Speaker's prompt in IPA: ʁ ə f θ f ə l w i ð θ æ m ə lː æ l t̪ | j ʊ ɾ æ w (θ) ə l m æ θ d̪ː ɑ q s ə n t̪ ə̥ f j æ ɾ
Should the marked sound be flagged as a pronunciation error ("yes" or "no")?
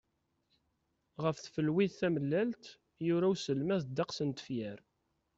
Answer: yes